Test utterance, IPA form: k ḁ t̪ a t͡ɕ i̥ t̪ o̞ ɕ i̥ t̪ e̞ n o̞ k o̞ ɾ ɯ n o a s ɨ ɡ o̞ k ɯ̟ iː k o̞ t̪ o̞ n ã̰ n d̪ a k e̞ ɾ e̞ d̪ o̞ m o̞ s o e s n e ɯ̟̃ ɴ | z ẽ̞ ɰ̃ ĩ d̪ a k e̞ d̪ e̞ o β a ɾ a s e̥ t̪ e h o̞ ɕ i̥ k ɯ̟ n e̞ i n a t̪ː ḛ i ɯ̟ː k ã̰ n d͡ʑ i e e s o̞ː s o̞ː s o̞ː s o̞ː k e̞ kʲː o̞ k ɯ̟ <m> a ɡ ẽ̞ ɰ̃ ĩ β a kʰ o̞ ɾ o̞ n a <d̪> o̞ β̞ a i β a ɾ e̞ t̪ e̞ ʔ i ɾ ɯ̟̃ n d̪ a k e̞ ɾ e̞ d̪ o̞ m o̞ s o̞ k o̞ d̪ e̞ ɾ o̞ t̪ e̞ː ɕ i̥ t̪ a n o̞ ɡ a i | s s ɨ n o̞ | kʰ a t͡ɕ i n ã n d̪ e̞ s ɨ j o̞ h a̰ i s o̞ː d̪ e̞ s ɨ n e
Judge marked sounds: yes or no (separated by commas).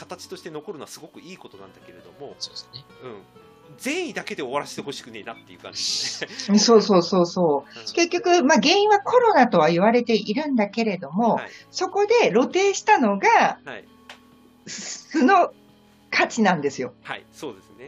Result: yes, no